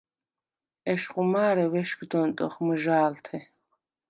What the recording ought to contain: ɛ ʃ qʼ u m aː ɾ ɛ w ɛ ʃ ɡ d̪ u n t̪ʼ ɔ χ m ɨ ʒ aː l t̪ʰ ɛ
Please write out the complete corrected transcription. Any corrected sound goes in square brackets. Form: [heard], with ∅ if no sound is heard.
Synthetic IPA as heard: ɛ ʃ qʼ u m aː ɾ ɛ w ɛ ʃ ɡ d̪ [ɔ] n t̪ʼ ɔ χ m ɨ ʒ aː l t̪ʰ ɛ